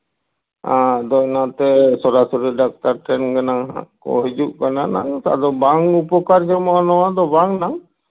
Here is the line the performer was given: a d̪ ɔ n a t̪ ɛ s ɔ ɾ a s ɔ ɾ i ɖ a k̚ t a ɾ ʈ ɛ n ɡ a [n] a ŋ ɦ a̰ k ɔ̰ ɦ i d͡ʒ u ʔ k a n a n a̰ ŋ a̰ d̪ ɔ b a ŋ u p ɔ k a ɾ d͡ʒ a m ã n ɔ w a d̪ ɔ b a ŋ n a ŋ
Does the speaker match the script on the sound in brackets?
yes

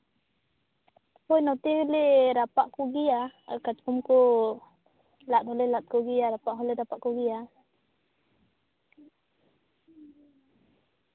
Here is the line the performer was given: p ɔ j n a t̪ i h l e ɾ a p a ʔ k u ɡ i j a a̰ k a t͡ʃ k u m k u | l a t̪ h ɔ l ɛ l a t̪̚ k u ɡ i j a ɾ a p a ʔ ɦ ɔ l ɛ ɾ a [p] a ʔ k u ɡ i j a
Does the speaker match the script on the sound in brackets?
yes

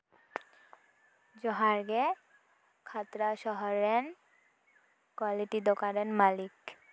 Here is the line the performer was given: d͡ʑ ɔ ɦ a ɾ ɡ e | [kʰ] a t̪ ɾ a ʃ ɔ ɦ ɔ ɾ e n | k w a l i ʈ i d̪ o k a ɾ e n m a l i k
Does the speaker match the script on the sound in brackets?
yes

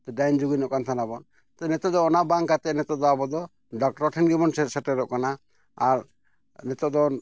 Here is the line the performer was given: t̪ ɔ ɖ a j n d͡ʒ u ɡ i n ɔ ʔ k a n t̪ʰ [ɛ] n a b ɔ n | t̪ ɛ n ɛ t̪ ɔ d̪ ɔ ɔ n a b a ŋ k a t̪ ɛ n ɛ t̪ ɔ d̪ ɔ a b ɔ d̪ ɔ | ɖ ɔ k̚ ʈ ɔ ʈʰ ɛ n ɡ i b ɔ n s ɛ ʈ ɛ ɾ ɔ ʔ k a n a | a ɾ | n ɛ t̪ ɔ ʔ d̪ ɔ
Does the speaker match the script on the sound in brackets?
no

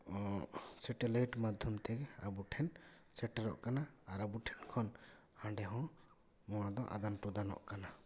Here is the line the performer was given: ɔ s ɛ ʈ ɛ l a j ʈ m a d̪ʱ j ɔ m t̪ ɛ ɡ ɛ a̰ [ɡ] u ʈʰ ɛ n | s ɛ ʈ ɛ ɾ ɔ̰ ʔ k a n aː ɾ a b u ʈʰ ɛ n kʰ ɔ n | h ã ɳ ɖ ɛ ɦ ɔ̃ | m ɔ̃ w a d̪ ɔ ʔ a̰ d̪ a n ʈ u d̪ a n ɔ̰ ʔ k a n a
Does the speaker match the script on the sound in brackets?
no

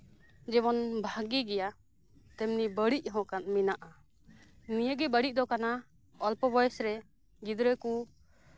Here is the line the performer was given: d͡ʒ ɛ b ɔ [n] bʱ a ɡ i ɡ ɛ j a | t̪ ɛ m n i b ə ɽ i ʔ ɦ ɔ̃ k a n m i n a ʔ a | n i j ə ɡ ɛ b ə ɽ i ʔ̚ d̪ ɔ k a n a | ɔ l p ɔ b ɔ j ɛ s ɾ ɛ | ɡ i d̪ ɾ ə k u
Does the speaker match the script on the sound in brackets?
yes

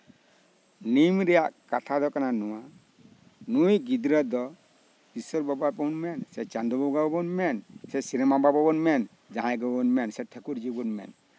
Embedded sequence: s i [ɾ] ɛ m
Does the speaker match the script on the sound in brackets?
yes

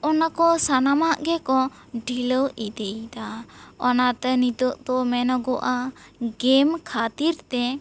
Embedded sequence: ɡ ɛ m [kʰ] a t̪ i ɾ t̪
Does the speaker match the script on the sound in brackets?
yes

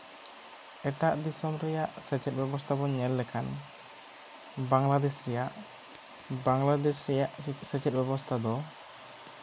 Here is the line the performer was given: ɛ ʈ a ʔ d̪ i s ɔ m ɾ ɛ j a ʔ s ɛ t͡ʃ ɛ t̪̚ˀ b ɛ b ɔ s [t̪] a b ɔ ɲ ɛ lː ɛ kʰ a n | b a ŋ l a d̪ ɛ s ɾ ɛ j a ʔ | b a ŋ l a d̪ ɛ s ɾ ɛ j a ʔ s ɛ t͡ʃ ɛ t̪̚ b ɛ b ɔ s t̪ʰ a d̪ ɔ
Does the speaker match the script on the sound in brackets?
no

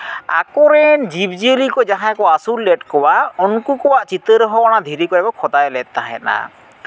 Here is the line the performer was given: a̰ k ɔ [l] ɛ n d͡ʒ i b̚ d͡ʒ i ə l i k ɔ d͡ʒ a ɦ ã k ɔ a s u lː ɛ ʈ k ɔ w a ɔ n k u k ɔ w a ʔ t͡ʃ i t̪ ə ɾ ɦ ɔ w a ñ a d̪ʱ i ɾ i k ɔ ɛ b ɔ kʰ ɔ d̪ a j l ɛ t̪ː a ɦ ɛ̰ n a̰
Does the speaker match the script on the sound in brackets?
no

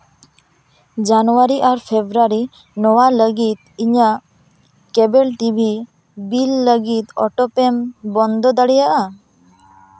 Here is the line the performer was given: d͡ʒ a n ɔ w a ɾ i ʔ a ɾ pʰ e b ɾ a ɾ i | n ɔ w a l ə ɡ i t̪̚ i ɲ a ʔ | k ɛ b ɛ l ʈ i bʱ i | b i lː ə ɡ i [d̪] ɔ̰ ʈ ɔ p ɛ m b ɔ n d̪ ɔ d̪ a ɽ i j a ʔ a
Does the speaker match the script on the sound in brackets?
no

